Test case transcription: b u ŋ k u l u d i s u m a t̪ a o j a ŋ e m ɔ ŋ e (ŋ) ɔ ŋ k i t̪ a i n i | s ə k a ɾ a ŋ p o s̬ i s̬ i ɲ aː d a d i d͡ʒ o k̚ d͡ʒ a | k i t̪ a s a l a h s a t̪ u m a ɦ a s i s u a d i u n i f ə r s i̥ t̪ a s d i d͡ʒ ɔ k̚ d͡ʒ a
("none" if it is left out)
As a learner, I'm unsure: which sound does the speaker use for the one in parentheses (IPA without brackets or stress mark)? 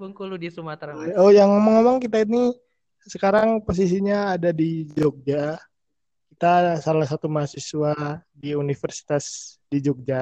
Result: m